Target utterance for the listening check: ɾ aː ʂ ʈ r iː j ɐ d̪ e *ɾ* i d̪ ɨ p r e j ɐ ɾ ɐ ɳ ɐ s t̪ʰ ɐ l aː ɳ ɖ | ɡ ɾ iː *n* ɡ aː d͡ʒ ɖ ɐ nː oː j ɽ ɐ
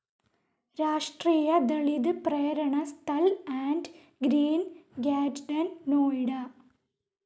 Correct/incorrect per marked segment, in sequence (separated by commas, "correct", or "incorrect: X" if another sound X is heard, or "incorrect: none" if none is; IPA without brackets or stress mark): incorrect: ɭ, correct